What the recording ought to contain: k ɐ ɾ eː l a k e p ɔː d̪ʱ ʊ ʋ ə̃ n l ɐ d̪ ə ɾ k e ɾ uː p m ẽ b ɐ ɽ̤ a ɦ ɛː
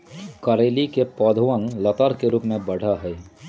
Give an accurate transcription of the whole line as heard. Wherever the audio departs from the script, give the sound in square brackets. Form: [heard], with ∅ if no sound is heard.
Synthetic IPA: k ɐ ɾ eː l [i] k e p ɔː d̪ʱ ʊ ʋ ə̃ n l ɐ [t̪] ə ɾ k e ɾ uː p m ẽ b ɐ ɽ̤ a ɦ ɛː